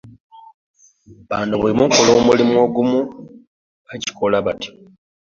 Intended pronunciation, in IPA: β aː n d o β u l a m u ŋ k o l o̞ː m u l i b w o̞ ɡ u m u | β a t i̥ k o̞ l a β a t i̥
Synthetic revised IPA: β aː n d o β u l i m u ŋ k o l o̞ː m u l i m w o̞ ɡ u m u | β a c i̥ k o̞ l a β a t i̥